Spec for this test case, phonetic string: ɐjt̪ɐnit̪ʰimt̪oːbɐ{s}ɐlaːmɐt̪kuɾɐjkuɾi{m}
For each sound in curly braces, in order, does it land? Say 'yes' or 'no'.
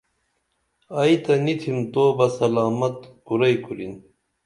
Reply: yes, no

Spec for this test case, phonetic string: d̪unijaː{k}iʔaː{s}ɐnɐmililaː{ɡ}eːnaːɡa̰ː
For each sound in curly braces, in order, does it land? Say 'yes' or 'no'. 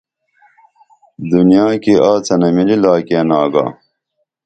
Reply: yes, no, no

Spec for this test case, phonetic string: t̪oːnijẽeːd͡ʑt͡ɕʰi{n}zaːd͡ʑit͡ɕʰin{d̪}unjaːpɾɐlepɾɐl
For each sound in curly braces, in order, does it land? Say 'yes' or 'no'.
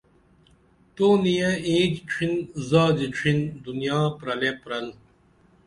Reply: yes, yes

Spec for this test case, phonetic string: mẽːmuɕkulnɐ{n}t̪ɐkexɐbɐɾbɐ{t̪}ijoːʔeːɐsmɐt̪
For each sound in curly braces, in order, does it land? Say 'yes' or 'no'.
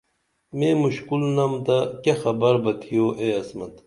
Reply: no, no

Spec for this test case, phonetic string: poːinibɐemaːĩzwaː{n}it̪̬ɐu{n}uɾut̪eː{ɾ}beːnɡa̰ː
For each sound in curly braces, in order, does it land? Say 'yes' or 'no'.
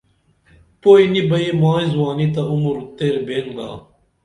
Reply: yes, no, yes

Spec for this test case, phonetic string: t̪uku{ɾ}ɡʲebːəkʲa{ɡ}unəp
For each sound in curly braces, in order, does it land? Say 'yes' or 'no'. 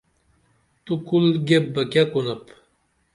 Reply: no, no

